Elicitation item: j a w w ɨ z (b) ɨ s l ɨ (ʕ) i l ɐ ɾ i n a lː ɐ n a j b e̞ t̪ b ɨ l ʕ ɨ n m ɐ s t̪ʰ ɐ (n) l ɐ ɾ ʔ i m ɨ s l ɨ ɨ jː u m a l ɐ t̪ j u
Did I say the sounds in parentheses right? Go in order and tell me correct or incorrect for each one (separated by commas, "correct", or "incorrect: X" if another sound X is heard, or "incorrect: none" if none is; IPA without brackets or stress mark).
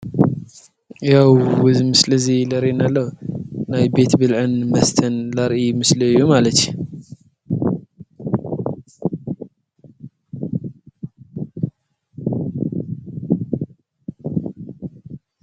incorrect: m, incorrect: z, correct